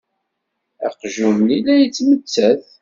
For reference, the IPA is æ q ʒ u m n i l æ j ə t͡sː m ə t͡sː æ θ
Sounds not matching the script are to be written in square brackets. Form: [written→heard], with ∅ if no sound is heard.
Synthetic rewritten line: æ q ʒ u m n i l æ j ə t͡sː m ə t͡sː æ θ